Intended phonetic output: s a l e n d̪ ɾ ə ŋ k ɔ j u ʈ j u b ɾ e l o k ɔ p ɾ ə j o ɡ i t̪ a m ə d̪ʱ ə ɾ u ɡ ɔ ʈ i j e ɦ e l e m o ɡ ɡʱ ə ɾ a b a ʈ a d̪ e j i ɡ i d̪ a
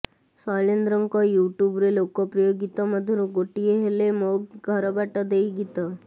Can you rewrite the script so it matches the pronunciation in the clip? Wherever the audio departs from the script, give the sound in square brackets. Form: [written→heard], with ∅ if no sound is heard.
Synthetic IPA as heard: s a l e n d̪ ɾ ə ŋ k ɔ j u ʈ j u b ɾ e l o k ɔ p ɾ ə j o ɡ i t̪ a m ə d̪ʱ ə ɾ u ɡ [ɔ→o] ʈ i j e ɦ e l e m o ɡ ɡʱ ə ɾ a b a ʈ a d̪ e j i ɡ i [d̪→t̪] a